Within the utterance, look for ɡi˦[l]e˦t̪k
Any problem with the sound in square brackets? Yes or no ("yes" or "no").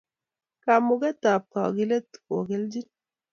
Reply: no